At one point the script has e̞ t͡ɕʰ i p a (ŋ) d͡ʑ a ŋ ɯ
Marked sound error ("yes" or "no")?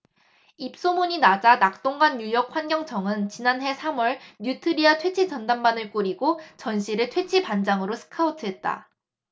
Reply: yes